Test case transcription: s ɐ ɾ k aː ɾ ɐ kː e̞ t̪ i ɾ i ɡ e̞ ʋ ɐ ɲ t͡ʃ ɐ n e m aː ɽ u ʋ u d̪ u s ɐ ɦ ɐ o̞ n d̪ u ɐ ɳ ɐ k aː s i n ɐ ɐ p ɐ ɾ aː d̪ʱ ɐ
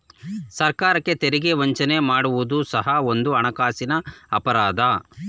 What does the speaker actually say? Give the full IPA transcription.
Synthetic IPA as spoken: s ɐ ɾ k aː ɾ ɐ kː e̞ t̪ e ɾ i ɡ e̞ ʋ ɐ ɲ t͡ʃ ɐ n e m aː ɽ u ʋ u d̪ u s ɐ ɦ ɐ o̞ n d̪ u ɐ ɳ ɐ k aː s i n ɐ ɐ p ɐ ɾ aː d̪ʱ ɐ